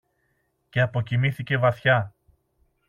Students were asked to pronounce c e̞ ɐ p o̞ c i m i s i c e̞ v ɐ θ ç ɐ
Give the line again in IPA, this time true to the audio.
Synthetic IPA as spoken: c e̞ ɐ p o̞ c i m i θ i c e̞ v ɐ θ ç ɐ